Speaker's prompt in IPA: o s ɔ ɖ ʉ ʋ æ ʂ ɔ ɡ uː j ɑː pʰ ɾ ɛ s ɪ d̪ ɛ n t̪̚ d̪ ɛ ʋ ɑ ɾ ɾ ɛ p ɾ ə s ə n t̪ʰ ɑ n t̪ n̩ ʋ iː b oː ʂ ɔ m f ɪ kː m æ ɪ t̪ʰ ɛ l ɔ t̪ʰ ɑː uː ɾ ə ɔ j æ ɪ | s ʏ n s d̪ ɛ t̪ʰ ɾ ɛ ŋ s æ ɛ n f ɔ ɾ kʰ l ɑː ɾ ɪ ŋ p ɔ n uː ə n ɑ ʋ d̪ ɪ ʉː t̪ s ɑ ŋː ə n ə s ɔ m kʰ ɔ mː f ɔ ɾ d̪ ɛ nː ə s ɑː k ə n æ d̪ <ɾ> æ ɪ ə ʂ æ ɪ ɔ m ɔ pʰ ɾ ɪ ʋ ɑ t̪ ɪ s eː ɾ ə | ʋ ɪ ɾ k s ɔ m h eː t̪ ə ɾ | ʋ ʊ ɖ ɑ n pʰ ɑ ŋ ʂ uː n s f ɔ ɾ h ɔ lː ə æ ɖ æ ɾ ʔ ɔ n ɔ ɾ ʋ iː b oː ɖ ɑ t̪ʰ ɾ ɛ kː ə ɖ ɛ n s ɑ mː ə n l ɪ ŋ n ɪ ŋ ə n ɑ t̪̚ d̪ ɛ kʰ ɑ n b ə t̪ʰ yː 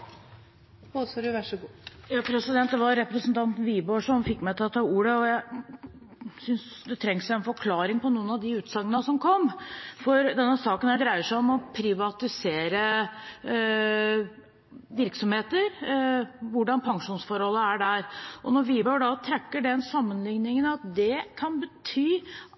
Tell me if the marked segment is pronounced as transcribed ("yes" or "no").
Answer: yes